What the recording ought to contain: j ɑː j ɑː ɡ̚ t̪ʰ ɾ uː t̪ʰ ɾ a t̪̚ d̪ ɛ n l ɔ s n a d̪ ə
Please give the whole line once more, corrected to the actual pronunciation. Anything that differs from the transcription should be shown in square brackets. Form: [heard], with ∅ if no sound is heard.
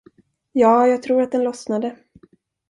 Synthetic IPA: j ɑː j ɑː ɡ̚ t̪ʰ ɾ uː [∅] ɾ a t̪̚ d̪ ɛ n l ɔ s n a d̪ ə

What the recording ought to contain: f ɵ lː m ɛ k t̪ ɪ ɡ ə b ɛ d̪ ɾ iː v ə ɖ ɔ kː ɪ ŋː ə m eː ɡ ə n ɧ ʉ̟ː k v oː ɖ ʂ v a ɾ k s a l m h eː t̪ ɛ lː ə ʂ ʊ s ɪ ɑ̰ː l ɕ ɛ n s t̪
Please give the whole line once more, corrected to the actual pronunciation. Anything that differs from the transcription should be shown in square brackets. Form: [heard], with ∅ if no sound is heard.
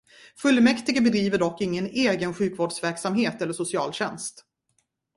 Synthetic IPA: f ɵ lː m ɛ k t̪ ɪ ɡ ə b ɛ d̪ ɾ iː v ə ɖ ɔ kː ɪ ŋː ə [n] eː ɡ ə n ɧ ʉ̟ː k v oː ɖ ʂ v [æ] ɾ k s a [∅] m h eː t̪ ɛ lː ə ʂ ʊ s ɪ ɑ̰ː l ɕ ɛ n s t̪

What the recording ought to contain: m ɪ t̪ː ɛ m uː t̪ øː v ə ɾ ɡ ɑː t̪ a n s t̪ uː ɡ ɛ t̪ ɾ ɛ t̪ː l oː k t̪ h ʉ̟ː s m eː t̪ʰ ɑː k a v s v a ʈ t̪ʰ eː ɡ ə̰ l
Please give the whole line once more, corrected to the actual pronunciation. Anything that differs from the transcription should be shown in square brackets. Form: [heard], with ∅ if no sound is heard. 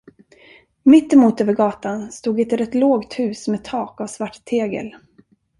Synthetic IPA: m ɪ t̪ː ɛ m uː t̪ øː v ə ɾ ɡ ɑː t̪ a n s t̪ uː ɡ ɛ t̪ ɾ ɛ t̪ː l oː [ɡ] t̪ h ʉ̟ː s m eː t̪ʰ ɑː k a v s v a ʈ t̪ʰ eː ɡ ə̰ l

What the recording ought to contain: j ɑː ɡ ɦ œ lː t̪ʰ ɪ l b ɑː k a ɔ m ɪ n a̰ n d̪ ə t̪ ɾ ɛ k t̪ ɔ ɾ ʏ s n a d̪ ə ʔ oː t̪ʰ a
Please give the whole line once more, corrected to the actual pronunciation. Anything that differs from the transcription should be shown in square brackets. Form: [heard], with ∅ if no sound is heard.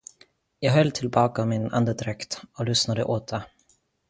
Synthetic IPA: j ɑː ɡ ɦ œ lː t̪ʰ ɪ l b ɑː k a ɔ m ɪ n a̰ n d̪ ə [d̪] ɾ ɛ k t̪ ɔ [l] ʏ s n a d̪ ə ʔ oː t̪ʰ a

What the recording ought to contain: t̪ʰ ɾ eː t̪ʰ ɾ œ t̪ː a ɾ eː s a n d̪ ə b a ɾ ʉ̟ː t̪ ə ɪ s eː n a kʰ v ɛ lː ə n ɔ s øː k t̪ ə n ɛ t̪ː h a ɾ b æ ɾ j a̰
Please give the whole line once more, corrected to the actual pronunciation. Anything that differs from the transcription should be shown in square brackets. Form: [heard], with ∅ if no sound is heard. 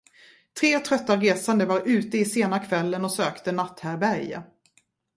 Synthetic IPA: t̪ʰ ɾ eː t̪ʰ ɾ œ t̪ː a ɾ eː s a n d̪ ə [v] a ɾ ʉ̟ː t̪ ə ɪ s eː n a kʰ v ɛ lː ə n ɔ s øː k t̪ ə n [a] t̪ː h [æ] ɾ b æ ɾ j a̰

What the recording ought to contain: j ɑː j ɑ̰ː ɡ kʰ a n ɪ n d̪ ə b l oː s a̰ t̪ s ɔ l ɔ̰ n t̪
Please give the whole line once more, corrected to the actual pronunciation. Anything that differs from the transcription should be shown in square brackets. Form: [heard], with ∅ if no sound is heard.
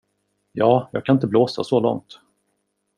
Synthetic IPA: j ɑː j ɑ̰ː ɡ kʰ a n ɪ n [t̪] ə b l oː s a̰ [∅] s ɔ l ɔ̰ [ŋ] t̪

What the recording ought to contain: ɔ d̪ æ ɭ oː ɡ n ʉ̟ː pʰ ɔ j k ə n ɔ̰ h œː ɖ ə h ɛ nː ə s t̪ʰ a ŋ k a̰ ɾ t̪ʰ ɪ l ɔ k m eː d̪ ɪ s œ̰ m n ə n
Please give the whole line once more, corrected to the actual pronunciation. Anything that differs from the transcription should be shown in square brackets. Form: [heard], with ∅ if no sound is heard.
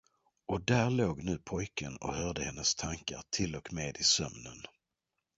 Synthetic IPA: ɔ d̪ æ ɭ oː ɡ n ʉ̟ː pʰ ɔ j k ə n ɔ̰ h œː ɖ ə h ɛ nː ə s t̪ʰ a ŋ k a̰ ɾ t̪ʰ ɪ l ɔ k m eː d̪ ɪ s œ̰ m n ə n

